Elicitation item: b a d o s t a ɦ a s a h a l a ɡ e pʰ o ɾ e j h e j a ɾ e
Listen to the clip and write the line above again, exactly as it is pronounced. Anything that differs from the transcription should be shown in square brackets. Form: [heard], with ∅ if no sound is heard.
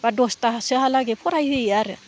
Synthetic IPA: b a d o s t a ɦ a s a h a l a ɡ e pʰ o ɾ [a] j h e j a ɾ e